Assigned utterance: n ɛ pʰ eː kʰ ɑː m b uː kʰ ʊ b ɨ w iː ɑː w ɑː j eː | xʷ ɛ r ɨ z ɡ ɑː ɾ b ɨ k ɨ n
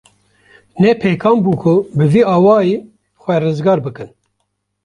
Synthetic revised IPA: n ɛ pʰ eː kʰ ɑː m b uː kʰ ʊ b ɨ v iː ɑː w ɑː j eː | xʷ ɛ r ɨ z ɡ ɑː ɾ b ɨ k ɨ n